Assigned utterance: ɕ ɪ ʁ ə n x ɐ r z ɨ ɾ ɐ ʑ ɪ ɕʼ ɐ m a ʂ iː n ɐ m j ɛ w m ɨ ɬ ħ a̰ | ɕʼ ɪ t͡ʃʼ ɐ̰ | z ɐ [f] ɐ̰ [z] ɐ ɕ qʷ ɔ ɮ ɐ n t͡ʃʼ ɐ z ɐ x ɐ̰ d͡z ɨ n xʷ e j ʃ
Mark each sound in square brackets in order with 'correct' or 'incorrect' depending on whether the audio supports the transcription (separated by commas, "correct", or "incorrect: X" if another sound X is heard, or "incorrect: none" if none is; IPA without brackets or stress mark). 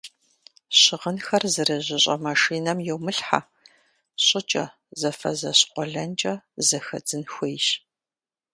correct, correct